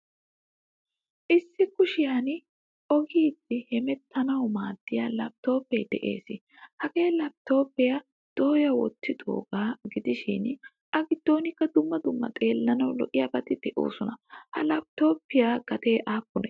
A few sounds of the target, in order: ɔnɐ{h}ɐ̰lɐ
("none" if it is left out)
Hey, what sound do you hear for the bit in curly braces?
h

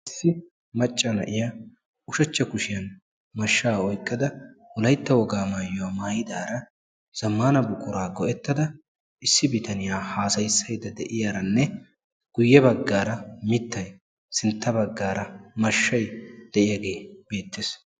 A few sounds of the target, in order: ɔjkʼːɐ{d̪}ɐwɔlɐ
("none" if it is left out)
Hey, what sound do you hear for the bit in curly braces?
d̪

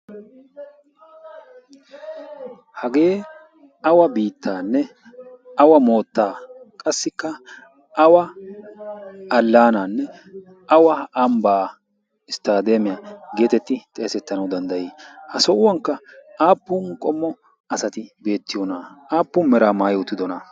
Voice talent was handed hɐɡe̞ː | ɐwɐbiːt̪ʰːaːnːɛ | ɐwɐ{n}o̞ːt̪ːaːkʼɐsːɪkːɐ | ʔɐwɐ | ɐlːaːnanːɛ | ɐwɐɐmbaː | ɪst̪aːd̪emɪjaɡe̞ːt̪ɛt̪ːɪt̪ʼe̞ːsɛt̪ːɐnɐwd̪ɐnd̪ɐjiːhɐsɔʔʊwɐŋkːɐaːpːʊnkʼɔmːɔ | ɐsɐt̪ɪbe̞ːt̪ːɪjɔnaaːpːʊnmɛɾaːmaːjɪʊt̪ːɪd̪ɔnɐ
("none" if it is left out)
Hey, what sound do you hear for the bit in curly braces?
m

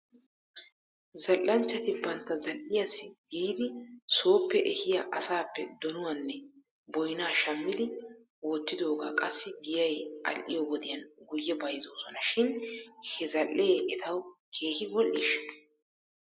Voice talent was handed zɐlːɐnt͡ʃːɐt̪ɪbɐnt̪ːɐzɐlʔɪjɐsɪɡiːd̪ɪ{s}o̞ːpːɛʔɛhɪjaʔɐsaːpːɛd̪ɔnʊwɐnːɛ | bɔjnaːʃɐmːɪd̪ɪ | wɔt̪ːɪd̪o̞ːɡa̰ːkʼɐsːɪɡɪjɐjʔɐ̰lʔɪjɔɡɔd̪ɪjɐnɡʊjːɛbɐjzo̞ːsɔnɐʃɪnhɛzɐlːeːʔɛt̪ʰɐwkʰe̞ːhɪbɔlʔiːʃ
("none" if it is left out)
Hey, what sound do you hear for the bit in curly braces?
s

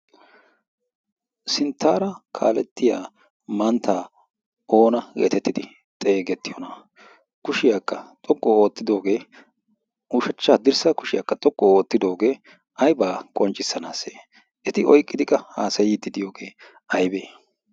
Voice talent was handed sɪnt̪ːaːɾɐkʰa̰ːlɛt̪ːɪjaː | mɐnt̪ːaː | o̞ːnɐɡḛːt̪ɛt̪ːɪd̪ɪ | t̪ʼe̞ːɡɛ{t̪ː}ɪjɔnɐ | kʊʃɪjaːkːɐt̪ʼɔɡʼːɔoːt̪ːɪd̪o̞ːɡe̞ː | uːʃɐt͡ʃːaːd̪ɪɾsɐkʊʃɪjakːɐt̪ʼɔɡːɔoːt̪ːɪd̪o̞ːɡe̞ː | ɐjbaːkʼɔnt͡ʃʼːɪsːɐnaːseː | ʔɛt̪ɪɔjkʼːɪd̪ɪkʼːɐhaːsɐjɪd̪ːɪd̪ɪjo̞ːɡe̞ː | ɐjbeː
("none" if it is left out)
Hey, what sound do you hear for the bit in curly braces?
t̪ː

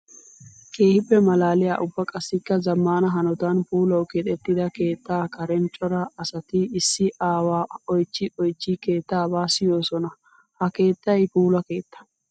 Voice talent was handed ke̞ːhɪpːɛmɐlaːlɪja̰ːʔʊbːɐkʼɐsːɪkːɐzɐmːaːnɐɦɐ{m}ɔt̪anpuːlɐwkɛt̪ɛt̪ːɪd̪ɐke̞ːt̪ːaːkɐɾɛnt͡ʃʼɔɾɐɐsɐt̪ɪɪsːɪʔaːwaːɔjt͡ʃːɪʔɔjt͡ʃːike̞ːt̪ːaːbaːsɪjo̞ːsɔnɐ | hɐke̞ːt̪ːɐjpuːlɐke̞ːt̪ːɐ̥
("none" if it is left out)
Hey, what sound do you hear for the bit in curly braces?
n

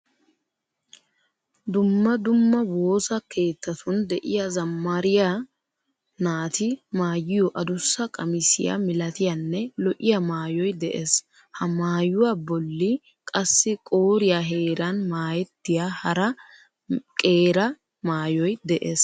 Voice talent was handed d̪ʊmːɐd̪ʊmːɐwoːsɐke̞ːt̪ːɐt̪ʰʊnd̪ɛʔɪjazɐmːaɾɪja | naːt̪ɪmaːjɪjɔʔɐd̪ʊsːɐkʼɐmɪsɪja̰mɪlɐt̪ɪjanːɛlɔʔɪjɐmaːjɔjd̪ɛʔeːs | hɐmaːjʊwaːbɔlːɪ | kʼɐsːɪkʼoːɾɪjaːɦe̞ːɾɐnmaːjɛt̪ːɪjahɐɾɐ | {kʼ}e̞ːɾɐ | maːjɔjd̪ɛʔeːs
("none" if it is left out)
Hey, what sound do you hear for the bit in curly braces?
kʼ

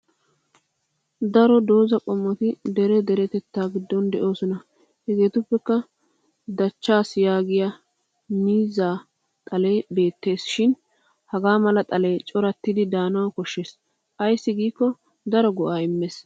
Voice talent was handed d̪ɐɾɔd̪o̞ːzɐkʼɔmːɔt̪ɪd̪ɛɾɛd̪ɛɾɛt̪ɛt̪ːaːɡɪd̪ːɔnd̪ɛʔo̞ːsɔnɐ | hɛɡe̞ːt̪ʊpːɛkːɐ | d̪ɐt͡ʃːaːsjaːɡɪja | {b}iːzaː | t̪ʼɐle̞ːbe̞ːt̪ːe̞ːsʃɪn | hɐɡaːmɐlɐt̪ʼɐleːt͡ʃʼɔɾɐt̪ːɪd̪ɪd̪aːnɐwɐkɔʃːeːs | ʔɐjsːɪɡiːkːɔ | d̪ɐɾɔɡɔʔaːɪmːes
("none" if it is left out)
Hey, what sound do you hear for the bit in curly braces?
m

